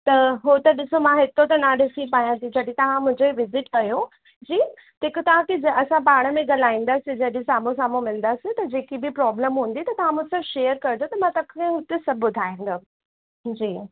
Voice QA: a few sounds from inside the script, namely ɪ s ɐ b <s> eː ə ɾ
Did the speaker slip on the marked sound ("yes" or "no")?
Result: yes